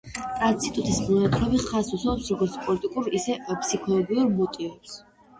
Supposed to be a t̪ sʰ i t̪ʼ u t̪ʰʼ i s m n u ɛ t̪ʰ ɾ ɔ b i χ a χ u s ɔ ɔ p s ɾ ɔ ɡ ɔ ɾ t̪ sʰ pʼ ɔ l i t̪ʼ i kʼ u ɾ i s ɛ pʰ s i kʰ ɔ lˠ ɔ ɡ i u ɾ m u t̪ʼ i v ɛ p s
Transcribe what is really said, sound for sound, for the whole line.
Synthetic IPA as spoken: a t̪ sʰ i t̪ʼ u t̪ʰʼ i s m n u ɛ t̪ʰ ɾ ɔ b i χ a s u s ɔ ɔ p s ɾ ɔ ɡ ɔ ɾ t̪ sʰ pʼ ɔ l i t̪ʼ i kʼ u ɾ i s ɛ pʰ s i kʰ ɔ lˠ ɔ ɡ i u ɾ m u t̪ʼ i v ɛ p s